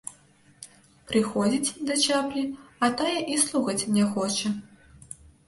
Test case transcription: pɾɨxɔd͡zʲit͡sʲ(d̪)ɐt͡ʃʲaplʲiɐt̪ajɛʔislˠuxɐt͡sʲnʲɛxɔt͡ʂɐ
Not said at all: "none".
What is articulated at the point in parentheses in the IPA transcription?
d̪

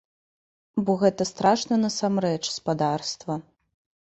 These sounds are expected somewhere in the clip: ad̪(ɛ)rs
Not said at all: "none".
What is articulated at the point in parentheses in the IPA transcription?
a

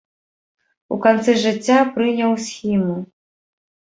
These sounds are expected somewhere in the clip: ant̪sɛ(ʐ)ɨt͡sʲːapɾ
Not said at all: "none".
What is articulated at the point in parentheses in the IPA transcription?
ʐ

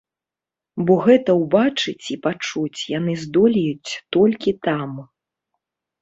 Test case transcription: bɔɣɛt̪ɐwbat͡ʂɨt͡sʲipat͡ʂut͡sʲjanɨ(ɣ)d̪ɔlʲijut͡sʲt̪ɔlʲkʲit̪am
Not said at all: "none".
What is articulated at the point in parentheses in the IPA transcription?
z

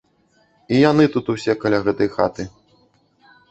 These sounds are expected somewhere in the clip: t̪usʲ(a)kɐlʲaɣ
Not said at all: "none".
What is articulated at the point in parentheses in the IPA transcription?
ɛ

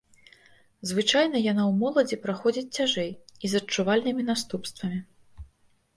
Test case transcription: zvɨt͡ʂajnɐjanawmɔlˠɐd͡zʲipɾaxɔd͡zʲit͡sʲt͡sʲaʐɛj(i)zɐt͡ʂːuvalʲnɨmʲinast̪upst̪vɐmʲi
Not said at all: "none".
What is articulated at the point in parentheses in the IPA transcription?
i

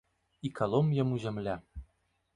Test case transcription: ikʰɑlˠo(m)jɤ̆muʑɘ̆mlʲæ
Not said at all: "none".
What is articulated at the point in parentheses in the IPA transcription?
m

